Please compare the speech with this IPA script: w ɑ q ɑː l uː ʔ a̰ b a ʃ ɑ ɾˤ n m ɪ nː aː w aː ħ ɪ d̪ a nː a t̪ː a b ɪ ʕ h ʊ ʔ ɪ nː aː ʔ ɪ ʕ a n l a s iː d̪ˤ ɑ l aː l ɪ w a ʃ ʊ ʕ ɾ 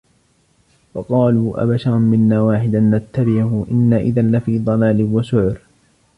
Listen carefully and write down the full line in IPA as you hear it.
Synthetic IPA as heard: w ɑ q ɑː l uː ʔ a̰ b a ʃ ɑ ɾˤ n m ɪ nː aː w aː ħ ɪ d̪ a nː a t̪ː a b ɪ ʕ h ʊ ʔ ɪ nː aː ʔ ɪ ð a n l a f iː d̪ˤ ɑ l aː l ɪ w a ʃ ʊ ʕ ɾ